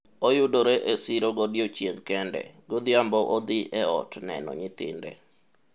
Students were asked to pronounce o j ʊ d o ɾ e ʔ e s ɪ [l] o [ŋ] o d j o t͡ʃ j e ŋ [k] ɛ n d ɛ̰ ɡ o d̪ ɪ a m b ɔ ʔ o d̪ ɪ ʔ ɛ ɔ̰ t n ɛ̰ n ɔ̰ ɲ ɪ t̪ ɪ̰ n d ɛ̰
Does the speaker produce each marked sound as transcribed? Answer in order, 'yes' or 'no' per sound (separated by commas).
no, no, yes